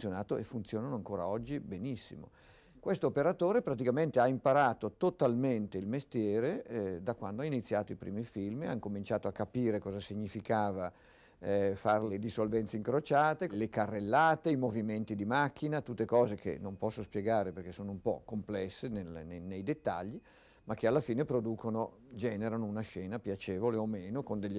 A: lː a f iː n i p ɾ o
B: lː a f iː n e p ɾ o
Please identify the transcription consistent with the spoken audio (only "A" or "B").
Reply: B